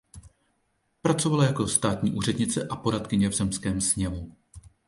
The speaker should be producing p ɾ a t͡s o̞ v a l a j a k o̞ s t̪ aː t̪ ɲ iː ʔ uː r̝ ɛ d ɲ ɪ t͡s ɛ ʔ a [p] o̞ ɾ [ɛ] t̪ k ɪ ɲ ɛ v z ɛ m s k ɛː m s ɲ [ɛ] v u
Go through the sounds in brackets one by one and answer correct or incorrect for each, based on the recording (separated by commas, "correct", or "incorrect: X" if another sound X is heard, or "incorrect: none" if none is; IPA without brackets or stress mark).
correct, incorrect: a, correct